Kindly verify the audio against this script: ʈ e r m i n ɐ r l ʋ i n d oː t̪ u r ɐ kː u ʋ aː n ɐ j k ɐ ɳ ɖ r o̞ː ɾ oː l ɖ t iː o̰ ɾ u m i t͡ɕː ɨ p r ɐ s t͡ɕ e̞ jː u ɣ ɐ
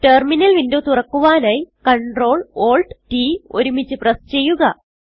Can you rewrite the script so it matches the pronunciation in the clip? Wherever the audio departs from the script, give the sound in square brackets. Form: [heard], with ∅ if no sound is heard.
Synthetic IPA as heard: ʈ e r m i n ɐ [∅] l ʋ i n d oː t̪ u r ɐ kː u ʋ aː n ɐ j k ɐ ɳ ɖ r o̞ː [ɭ] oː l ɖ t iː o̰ ɾ u m i t͡ɕː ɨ p r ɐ s t͡ɕ e̞ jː u ɣ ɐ